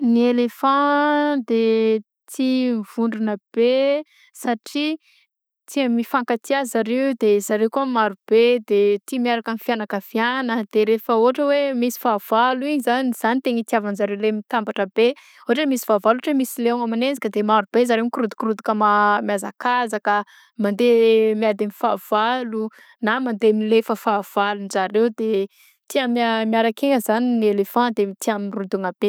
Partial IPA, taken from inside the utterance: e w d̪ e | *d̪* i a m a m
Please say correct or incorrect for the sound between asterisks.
incorrect: t̪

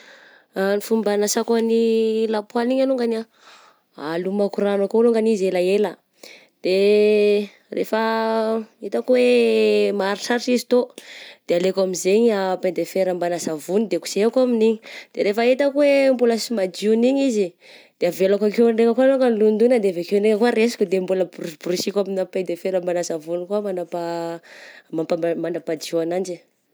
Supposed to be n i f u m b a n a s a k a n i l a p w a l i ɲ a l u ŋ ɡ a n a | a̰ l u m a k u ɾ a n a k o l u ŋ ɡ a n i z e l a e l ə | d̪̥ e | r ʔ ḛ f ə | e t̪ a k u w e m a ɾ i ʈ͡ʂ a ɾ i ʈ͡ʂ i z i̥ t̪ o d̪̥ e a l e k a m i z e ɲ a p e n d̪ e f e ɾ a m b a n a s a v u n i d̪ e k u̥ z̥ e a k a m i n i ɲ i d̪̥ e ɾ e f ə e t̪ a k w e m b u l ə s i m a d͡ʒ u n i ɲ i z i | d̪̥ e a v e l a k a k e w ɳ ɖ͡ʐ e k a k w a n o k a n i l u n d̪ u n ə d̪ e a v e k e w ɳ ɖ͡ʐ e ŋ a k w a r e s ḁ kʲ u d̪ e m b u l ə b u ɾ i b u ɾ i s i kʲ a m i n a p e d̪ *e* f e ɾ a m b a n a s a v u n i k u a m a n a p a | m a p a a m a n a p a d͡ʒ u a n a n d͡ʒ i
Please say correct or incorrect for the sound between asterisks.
correct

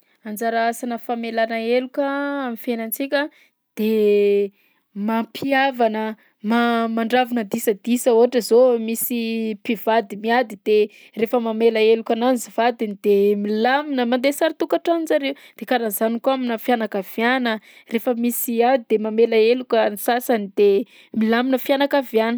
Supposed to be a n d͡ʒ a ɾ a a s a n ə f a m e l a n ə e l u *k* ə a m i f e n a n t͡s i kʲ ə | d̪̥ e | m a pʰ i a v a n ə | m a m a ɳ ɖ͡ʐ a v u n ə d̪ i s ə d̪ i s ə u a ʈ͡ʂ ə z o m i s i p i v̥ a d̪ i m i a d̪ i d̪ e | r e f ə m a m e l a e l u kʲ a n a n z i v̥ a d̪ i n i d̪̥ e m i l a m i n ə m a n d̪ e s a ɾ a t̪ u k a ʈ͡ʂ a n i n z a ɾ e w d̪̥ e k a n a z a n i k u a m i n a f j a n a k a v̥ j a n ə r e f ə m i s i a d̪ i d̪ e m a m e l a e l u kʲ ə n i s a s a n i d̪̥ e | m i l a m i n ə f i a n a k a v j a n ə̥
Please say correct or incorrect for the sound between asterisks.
correct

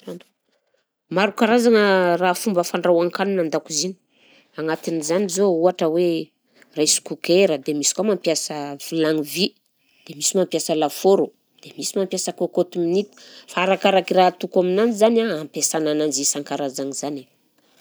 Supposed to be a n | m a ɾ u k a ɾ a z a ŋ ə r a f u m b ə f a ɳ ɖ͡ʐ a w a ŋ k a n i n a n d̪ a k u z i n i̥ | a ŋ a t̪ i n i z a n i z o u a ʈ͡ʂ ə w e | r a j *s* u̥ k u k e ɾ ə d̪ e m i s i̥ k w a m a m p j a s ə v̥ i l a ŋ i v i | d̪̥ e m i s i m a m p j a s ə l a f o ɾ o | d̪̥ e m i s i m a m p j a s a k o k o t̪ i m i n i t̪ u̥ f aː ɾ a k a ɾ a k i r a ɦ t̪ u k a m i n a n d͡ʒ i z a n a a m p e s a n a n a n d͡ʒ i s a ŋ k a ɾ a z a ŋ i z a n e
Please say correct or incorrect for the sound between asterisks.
correct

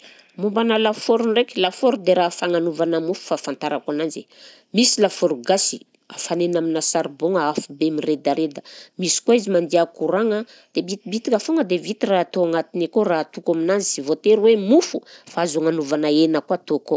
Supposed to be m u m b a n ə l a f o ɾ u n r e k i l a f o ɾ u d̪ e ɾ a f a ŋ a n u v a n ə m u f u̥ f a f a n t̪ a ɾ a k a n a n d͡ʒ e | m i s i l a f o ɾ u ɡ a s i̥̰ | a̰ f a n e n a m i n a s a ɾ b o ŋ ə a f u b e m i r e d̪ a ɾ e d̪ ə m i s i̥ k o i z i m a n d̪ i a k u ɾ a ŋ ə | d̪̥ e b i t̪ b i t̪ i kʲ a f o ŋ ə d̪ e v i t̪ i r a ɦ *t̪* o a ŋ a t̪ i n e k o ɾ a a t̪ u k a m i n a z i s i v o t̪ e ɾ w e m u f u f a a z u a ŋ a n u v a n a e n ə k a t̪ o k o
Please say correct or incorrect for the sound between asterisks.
correct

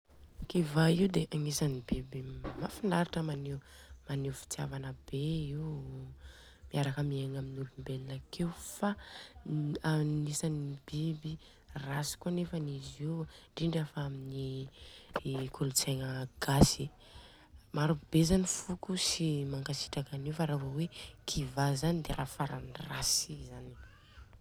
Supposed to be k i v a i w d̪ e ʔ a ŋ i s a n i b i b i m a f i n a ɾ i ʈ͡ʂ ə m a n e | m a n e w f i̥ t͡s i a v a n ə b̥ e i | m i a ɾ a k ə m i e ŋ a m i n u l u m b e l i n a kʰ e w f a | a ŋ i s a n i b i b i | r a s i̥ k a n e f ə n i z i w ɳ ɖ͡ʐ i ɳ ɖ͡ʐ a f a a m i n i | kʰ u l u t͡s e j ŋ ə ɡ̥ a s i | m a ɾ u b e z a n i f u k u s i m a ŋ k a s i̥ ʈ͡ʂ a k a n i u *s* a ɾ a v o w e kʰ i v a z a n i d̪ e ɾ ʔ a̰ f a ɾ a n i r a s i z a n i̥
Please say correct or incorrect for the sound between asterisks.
incorrect: f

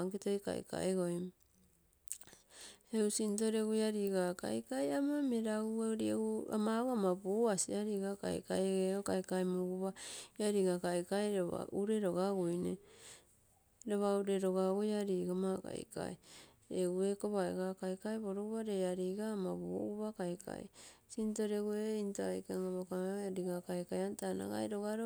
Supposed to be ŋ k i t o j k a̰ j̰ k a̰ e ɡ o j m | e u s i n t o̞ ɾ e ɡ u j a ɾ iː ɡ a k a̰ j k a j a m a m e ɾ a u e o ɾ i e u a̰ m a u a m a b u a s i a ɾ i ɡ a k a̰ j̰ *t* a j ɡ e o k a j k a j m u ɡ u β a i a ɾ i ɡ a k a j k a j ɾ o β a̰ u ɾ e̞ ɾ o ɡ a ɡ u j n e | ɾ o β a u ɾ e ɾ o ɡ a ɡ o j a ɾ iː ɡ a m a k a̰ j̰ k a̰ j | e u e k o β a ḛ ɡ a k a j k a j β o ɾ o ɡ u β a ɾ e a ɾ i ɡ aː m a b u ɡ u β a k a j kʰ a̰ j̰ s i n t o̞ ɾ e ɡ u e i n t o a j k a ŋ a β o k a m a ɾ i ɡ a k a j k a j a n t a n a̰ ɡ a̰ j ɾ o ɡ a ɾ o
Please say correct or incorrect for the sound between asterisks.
incorrect: k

